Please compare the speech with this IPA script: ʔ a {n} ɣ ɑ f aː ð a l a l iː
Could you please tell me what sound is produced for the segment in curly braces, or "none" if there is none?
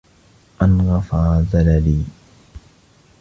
n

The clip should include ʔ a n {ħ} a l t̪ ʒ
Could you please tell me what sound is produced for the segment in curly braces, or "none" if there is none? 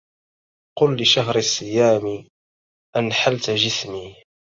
ħ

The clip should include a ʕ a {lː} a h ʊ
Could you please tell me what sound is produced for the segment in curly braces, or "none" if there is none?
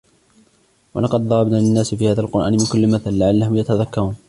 lː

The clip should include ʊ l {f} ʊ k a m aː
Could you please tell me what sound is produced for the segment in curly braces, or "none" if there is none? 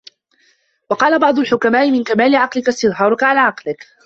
ħ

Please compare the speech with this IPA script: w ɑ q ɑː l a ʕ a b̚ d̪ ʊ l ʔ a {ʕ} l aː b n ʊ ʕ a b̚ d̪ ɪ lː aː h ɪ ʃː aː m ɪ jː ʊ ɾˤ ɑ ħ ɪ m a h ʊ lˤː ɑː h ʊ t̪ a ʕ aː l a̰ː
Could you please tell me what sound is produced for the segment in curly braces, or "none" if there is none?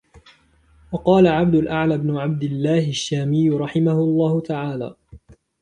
ʕ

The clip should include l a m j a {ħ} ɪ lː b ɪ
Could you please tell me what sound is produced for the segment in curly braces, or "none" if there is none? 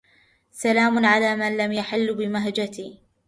ħ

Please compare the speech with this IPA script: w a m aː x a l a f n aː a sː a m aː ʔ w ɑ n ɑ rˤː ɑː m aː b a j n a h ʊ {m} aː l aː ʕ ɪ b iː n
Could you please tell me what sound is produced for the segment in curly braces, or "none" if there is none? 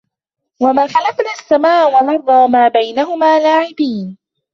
m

